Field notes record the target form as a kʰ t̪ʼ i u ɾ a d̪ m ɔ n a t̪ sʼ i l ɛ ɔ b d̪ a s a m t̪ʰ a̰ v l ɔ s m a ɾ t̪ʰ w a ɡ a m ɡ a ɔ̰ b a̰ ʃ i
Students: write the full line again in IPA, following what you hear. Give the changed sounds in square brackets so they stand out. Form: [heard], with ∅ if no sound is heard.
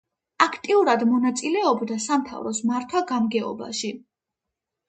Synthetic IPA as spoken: a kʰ t̪ʼ i u ɾ a d̪ m ɔ n a t̪ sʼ i l ɛ ɔ b d̪ a s a m t̪ʰ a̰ v [ɾ] ɔ s m a ɾ t̪ʰ w a ɡ a m ɡ [ɛ] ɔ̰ b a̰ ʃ i